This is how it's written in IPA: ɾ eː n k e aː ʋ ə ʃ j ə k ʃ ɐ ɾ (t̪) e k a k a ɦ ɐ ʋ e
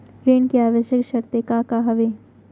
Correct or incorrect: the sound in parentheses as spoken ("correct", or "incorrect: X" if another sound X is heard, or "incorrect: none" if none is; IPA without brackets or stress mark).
correct